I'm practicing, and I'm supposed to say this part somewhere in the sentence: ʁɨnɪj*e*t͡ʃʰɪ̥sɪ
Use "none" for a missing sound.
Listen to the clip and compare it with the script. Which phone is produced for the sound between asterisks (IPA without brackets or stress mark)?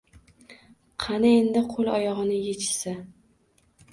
e